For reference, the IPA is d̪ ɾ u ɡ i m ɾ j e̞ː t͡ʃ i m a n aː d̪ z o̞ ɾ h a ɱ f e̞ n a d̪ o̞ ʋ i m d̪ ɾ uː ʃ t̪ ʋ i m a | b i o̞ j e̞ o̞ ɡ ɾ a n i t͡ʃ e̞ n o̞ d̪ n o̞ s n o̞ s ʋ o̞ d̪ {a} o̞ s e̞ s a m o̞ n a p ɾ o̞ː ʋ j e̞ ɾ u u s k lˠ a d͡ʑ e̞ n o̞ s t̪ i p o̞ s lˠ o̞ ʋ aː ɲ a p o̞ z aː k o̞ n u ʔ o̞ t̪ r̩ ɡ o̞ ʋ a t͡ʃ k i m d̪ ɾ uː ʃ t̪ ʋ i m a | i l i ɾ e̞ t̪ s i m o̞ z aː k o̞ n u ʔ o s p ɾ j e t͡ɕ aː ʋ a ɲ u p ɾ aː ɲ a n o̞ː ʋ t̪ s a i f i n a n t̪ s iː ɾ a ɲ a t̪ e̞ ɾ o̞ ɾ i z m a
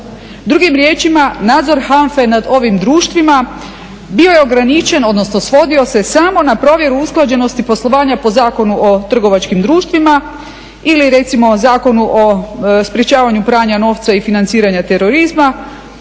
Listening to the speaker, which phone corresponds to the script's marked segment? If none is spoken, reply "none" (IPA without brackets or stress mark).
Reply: i